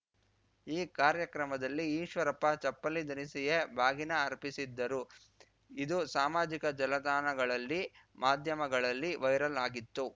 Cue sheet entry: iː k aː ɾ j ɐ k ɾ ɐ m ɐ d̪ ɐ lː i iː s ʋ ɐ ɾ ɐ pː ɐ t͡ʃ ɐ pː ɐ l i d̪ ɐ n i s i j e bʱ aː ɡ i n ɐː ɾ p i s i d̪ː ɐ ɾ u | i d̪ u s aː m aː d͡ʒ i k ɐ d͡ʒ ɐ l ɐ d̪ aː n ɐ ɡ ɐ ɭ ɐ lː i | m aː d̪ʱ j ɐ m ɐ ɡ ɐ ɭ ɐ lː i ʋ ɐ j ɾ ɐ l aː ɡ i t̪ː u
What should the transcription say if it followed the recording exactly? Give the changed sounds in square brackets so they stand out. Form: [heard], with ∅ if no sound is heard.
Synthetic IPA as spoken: iː k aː ɾ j ɐ k ɾ ɐ m ɐ d̪ ɐ lː i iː [ʃ] ʋ ɐ ɾ ɐ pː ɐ t͡ʃ ɐ pː ɐ l i d̪ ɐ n i s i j e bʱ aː ɡ i n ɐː ɾ p i s i d̪ː ɐ ɾ u | i d̪ u s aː m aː d͡ʒ i k ɐ d͡ʒ ɐ l ɐ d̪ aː n ɐ ɡ ɐ ɭ ɐ lː i | m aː d̪ʱ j ɐ m ɐ ɡ ɐ ɭ ɐ lː i ʋ ɐ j ɾ ɐ l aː ɡ i t̪ː u